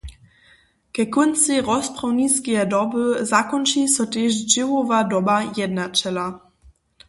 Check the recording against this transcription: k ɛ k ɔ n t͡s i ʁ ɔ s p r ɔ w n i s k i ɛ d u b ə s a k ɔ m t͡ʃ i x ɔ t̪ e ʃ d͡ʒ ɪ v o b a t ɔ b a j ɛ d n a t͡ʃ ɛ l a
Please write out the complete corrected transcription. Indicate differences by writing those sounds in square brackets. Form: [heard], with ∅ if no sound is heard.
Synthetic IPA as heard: k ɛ k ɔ n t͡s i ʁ ɔ s p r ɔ w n i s k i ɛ d [ɔ] b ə [z] a k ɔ [n] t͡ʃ i [s] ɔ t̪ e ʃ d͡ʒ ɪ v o [v] a [d] ɔ b a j ɛ d n a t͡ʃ ɛ l a